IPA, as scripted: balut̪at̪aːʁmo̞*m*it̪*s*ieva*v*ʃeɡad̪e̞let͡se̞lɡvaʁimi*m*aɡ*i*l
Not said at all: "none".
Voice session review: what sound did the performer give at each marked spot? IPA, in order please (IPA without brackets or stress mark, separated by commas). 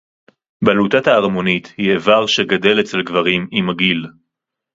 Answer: n, h, ʁ, m, i